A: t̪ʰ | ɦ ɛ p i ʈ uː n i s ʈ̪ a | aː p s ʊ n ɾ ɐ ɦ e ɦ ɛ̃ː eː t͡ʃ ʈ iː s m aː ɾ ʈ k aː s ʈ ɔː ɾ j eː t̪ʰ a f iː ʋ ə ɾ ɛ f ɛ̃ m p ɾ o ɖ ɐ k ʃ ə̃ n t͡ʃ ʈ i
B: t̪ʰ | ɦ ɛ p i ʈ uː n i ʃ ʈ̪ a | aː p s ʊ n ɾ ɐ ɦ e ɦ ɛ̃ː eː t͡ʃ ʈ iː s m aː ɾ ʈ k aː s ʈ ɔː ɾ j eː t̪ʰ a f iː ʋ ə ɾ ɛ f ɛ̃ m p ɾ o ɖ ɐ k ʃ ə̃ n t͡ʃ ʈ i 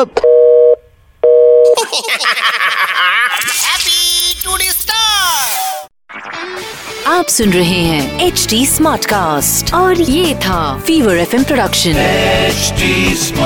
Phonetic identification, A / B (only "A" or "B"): A